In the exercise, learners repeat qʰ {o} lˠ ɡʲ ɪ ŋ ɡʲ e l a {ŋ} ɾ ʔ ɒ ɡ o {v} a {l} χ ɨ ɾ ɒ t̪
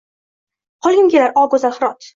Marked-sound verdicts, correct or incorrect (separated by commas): incorrect, incorrect, incorrect, correct